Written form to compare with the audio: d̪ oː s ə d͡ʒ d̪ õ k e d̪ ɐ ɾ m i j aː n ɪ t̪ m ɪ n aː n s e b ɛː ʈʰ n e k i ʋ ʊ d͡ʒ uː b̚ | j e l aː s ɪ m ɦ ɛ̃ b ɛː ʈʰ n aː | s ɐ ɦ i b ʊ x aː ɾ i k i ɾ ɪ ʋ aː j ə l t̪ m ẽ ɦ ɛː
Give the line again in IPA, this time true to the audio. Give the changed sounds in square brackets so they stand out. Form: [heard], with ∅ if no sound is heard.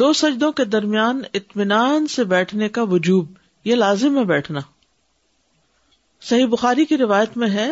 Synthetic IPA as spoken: d̪ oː s [ɐ] d͡ʒ d̪ õ k e d̪ ɐ ɾ m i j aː n ɪ t̪ m ɪ n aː n s e b ɛː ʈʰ n e k [a] ʋ ʊ d͡ʒ uː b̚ | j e l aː [z] ɪ m ɦ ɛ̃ b ɛː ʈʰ n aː | s ɐ ɦ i b ʊ x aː ɾ i k i ɾ ɪ ʋ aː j ə [∅] t̪ m ẽ ɦ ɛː